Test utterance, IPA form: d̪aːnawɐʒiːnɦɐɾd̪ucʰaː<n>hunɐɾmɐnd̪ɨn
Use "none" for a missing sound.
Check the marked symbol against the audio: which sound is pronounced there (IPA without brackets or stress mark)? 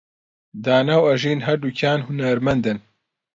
n